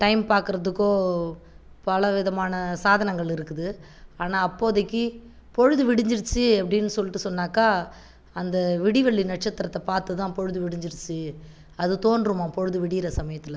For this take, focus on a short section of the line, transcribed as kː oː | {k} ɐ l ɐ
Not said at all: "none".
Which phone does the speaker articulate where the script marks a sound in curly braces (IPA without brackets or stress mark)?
p